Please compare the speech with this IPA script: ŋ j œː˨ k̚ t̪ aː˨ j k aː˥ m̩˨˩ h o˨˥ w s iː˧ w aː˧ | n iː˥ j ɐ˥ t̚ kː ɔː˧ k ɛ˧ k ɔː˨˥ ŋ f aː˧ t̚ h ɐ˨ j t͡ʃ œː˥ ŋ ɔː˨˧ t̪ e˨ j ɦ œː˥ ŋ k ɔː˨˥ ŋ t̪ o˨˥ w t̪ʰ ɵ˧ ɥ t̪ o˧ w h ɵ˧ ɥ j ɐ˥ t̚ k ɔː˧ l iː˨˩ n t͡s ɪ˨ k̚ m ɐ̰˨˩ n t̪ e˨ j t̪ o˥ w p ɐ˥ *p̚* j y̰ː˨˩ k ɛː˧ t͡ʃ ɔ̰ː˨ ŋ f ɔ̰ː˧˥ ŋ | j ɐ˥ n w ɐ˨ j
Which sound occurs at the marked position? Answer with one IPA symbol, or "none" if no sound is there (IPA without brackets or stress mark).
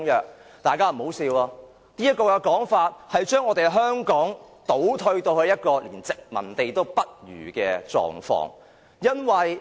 t̚